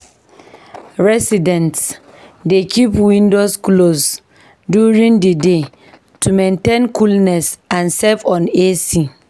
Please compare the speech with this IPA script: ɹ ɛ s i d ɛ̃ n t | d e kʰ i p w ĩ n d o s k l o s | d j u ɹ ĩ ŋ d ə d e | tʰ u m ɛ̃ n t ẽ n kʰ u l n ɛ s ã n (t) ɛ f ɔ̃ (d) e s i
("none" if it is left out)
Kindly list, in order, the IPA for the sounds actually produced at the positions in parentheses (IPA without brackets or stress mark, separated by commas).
s, n